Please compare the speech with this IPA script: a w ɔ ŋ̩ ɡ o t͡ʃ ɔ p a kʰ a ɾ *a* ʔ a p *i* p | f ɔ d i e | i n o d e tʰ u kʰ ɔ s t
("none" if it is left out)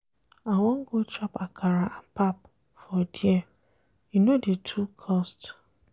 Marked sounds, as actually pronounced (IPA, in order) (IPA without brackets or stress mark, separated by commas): a, a